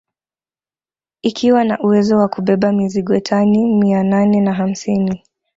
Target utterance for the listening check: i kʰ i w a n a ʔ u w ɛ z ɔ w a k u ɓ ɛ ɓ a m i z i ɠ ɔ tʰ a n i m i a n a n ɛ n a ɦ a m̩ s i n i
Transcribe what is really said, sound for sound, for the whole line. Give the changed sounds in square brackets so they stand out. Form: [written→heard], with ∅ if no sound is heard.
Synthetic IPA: i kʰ i w a n a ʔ u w ɛ z ɔ w a k u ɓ ɛ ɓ a m i z i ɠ ɔ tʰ a n i m i a n a n ɛ n a ɦ a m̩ s i n i